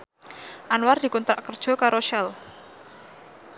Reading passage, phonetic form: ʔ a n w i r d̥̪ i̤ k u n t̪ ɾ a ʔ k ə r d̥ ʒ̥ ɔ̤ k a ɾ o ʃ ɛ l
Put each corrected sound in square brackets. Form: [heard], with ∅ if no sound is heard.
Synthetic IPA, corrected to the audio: ʔ a n w [a] r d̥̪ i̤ k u n t̪ ɾ a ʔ k ə r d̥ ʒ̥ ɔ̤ k a ɾ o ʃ ɛ l